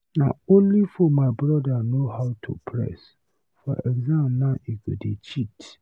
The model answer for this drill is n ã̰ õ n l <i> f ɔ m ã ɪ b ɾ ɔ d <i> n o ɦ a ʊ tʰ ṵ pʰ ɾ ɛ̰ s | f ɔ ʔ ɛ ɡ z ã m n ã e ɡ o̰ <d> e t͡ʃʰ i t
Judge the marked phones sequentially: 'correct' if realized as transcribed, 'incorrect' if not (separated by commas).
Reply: correct, incorrect, correct